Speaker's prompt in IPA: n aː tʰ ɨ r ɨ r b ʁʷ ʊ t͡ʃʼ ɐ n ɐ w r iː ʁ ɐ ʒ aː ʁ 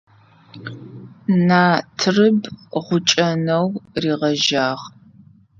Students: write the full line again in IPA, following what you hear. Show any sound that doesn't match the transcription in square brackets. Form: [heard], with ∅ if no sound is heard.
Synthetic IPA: n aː tʰ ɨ r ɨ [∅] b ʁʷ ʊ t͡ʃʼ ɐ n ɐ w r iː ʁ ɐ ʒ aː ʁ